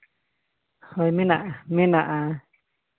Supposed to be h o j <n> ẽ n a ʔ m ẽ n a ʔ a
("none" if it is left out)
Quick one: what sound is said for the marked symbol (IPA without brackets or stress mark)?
m